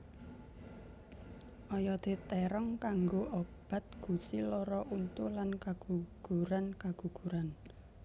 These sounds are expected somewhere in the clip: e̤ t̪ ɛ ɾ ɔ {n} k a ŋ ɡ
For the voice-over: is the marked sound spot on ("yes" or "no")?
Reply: no